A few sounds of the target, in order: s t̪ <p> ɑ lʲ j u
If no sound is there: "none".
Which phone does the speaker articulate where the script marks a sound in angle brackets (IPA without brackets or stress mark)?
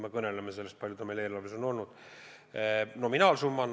p